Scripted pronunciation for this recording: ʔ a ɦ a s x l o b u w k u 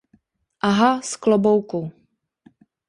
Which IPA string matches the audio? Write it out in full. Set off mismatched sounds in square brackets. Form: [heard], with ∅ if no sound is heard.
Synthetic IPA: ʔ a ɦ a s [k] l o b [o] w k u

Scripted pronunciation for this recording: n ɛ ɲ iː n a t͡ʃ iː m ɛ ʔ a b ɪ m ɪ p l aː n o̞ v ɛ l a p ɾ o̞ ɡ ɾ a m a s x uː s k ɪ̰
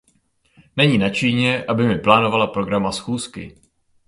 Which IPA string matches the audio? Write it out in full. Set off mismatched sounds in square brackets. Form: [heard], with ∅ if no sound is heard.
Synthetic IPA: n ɛ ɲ iː n a t͡ʃ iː [ɲ] ɛ ʔ a b ɪ m ɪ p l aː n o̞ v [a] l a p ɾ o̞ ɡ ɾ a m a s x uː s k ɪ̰

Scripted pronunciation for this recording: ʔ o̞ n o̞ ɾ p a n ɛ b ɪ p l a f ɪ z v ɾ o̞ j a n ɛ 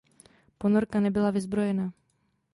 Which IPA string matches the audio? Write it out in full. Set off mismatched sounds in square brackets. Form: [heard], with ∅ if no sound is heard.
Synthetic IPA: [p] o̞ n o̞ ɾ [k] a n ɛ b ɪ [∅] l a [v] ɪ z [b] ɾ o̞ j [ɛ] n [a]

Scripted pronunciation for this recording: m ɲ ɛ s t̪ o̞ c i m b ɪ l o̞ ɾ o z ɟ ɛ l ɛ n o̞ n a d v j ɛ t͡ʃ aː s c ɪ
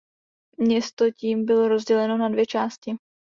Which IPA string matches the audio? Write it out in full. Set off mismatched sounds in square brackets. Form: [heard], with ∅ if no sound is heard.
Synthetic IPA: m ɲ ɛ s t̪ o̞ c [iː] m b ɪ l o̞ ɾ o z ɟ ɛ l ɛ n o̞ n a d v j ɛ t͡ʃ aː s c ɪ

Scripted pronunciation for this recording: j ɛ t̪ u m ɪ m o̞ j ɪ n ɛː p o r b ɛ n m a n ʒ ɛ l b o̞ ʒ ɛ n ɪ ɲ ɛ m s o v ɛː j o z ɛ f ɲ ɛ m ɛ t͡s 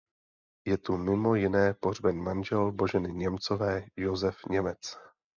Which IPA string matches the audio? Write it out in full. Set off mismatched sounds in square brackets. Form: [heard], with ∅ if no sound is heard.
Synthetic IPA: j ɛ t̪ u m ɪ m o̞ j ɪ n ɛː p o r b ɛ n m a n ʒ ɛ l b o̞ ʒ ɛ n ɪ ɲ ɛ m [t͡s] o v ɛː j o z ɛ f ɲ ɛ m ɛ t͡s

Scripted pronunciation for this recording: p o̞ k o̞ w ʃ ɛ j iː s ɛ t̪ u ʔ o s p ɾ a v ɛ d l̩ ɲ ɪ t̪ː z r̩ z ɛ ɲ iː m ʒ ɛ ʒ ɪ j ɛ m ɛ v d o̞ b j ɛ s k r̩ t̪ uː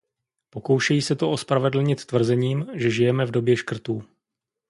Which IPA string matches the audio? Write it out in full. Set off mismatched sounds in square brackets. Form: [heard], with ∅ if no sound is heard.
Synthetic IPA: p o̞ k o̞ w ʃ ɛ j iː s ɛ t̪ [o] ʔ o s p ɾ a v ɛ d l̩ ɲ ɪ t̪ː [v] r̩ z ɛ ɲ iː m ʒ ɛ ʒ ɪ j ɛ m ɛ v d o̞ b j ɛ [ʃ] k r̩ t̪ uː

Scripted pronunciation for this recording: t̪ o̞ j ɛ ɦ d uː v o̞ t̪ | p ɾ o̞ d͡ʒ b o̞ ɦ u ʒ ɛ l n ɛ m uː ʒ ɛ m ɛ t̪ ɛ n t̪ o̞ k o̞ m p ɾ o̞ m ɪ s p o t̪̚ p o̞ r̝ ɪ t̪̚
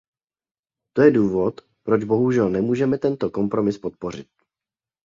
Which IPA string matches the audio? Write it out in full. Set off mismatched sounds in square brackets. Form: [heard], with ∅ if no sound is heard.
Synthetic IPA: t̪ o̞ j ɛ [∅] d uː v o̞ t̪ | p ɾ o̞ d͡ʒ b o̞ ɦ u ʒ ɛ l n ɛ m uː ʒ ɛ m ɛ t̪ ɛ n t̪ o̞ k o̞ m p ɾ o̞ m ɪ s p o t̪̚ p o̞ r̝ ɪ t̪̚

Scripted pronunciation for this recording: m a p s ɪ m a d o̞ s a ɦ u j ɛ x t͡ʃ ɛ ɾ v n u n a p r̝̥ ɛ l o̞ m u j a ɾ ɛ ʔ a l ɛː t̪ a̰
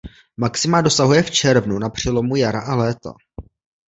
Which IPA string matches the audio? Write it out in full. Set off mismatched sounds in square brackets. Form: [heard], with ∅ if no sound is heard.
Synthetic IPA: m a [k] s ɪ m a d o̞ s a ɦ u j ɛ [f] t͡ʃ ɛ ɾ v n u n a p r̝̥ ɛ l o̞ m u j a ɾ [a] ʔ a l ɛː t̪ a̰

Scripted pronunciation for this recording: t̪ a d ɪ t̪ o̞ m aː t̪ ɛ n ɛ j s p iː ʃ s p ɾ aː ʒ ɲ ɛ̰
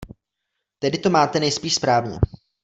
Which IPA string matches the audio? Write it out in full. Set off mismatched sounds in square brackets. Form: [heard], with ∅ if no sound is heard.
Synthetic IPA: t̪ [ɛ] d ɪ t̪ o̞ m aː t̪ ɛ n ɛ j s p iː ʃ s p ɾ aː [v] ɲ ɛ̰

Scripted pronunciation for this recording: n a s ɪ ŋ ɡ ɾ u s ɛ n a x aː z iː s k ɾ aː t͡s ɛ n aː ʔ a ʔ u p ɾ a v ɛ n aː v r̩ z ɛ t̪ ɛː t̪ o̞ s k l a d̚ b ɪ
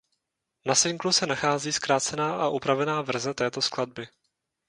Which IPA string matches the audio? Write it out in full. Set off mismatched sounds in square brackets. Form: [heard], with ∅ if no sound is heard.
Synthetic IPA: n a s ɪ ŋ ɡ [l] u s ɛ n a x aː z iː s k ɾ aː t͡s ɛ n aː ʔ a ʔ u p ɾ a v ɛ n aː v r̩ z ɛ t̪ ɛː t̪ o̞ s k l a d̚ b ɪ

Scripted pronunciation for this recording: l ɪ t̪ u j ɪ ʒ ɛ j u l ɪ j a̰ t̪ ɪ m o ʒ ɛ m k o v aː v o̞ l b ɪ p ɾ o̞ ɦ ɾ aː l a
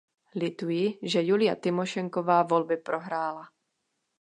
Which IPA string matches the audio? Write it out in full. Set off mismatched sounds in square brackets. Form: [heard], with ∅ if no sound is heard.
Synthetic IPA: l ɪ t̪ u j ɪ ʒ ɛ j u l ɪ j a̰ t̪ ɪ m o [ʃ] ɛ [ŋ] k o v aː v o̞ l b ɪ p ɾ o̞ ɦ ɾ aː l a

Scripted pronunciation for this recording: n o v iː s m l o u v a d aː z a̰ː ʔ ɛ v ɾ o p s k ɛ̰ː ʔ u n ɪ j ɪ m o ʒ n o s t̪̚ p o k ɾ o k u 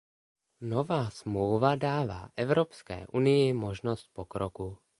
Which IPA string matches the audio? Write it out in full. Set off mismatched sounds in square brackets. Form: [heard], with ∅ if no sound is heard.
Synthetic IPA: n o v [aː] s m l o [w] v a d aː [v] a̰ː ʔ ɛ v ɾ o p s k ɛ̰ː ʔ u n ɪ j ɪ m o ʒ n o s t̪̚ p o k ɾ o k u

